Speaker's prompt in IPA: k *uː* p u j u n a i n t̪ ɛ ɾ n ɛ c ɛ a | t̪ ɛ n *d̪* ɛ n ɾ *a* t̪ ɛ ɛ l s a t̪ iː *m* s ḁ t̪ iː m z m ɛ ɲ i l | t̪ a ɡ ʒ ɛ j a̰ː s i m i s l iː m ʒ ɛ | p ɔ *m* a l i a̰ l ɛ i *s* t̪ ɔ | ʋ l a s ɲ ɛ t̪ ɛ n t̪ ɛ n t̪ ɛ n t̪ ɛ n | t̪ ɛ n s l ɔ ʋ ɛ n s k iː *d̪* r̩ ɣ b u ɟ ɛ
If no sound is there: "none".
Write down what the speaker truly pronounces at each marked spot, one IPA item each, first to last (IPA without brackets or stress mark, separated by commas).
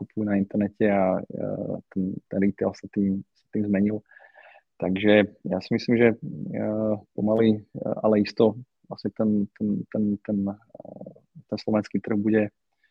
u, t̪, i, m, m, s, t̪